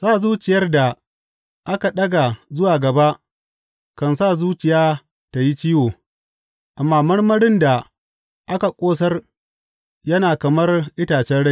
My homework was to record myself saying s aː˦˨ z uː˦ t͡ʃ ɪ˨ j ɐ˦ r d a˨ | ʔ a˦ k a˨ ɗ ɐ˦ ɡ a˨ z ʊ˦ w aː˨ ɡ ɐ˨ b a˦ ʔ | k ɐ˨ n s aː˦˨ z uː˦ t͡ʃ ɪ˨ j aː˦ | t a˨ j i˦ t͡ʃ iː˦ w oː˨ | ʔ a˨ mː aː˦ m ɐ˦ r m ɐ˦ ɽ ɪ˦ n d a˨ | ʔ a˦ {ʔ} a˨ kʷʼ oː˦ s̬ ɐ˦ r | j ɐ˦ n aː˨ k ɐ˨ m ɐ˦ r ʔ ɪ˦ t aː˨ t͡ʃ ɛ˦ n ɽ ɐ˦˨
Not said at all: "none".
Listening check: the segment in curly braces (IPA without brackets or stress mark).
k